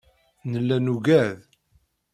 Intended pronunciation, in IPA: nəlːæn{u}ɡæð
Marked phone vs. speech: correct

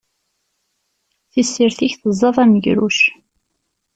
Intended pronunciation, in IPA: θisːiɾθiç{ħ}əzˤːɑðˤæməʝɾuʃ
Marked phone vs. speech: incorrect: θ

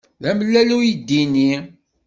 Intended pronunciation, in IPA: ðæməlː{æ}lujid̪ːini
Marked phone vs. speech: correct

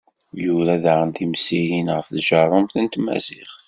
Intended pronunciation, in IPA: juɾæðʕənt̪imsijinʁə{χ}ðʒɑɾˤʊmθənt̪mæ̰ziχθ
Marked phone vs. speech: incorrect: f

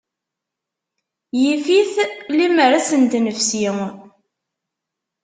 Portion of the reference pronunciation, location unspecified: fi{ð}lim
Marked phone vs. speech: incorrect: θ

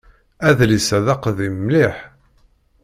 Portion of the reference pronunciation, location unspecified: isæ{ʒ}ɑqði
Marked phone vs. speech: incorrect: ð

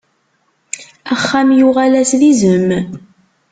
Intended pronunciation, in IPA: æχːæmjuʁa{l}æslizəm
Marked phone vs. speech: correct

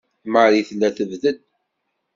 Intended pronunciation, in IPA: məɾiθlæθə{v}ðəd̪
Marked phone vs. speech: correct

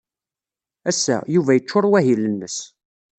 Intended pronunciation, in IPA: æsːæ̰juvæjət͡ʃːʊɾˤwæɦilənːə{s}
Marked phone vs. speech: correct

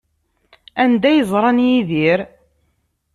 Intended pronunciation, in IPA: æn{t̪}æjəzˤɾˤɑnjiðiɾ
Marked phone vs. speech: incorrect: d̪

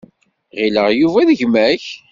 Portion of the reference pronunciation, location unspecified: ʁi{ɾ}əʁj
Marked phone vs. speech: incorrect: l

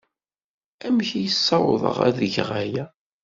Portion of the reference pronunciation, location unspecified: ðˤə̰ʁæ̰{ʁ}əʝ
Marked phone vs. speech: incorrect: ð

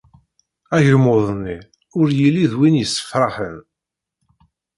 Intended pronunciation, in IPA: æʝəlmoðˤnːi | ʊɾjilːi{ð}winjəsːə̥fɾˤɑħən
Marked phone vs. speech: correct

